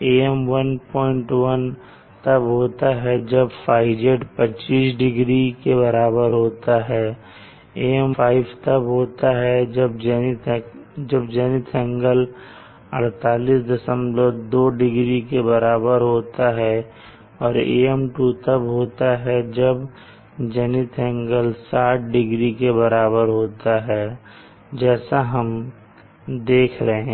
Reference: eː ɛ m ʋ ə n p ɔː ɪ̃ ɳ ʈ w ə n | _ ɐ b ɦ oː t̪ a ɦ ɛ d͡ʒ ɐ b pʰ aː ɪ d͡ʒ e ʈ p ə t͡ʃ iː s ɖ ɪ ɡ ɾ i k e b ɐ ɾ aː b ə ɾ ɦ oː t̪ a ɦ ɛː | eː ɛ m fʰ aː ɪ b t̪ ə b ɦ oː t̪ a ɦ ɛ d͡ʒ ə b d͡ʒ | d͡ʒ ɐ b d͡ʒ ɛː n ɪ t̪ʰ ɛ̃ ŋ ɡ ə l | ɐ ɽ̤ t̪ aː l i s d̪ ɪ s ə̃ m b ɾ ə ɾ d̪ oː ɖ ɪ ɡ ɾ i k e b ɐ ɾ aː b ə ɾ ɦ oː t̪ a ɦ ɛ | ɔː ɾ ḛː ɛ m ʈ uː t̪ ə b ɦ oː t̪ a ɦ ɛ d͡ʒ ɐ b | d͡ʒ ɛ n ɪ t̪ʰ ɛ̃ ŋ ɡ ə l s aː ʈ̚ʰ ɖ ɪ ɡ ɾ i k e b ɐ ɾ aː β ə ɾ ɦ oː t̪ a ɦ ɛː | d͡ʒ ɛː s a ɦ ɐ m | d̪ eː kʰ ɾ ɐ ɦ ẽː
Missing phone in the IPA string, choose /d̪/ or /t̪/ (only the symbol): t̪